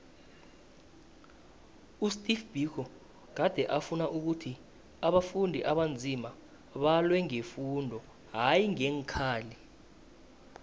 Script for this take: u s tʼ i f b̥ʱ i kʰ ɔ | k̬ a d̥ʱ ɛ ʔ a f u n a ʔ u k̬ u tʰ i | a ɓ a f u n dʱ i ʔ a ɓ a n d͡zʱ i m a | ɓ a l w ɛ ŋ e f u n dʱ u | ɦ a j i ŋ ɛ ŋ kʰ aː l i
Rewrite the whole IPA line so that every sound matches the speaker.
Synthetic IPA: u s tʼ i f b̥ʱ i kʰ ɔ | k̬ a d̥ʱ ɛ ʔ a f u n a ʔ u k̬ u tʰ i | a ɓ a f u n dʱ i ʔ a ɓ a n d͡zʱ i m a | ɓ a l w ɛ ŋ e f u n dʱ ɔ | ɦ a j i ŋ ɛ ŋ kʰ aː l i